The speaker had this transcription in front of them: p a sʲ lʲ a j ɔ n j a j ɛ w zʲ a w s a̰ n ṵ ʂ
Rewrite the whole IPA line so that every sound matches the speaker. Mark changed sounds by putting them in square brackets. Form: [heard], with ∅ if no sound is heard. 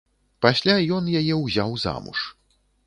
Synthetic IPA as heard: p a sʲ lʲ a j ɔ n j a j ɛ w zʲ a w [z] a̰ [m] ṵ ʂ